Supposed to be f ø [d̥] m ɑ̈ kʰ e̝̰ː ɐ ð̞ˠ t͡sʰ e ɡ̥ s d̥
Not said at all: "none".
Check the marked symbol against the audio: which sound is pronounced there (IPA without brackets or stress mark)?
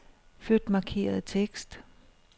d̥